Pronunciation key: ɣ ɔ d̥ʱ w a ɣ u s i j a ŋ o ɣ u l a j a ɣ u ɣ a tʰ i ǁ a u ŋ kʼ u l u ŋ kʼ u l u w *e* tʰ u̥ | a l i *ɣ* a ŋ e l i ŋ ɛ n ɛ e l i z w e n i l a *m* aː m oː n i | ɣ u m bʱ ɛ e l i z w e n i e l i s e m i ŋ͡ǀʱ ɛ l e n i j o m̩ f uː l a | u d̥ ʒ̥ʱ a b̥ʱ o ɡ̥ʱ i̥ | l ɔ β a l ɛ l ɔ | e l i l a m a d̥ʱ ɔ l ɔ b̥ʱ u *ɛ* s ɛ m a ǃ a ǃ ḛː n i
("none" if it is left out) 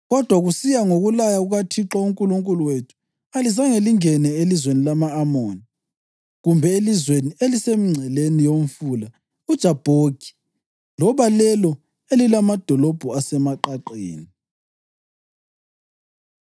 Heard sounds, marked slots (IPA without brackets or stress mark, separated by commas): e, z, m, a